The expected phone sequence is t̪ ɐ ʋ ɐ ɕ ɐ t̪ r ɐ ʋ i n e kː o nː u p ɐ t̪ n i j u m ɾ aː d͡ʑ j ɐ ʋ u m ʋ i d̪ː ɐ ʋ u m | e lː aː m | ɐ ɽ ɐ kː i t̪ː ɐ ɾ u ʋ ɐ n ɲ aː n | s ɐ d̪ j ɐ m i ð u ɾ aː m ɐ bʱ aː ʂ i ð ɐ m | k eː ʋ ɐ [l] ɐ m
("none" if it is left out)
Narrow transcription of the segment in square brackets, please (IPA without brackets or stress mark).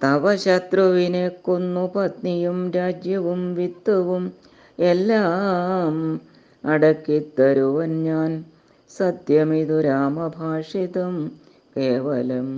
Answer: l